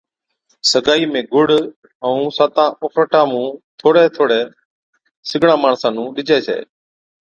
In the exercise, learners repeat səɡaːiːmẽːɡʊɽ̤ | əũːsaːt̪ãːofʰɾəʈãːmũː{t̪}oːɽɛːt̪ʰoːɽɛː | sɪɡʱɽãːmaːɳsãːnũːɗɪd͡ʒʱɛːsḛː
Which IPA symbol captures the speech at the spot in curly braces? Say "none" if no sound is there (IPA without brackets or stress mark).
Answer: t̪ʰ